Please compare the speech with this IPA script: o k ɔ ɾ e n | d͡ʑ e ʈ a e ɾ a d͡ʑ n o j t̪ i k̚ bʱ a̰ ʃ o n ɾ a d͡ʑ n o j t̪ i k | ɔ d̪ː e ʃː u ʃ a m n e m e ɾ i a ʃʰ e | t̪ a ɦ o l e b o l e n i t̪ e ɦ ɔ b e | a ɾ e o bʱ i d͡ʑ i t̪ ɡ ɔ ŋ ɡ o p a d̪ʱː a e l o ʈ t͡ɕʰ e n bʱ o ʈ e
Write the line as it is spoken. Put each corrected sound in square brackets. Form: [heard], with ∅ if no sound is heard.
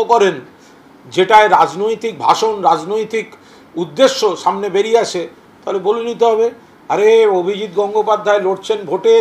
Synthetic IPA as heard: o k ɔ ɾ e n | d͡ʑ e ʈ a e ɾ a d͡ʑ n o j t̪ i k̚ bʱ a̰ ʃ o n ɾ a d͡ʑ n o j t̪ i k | [u] d̪ː e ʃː [o] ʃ a m n e [b] e ɾ i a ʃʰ e | t̪ a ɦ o l e b o l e n i t̪ e ɦ ɔ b e | a ɾ e o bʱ i d͡ʑ i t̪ ɡ ɔ ŋ ɡ o p a d̪ʱː a e l o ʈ t͡ɕʰ e n bʱ o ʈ e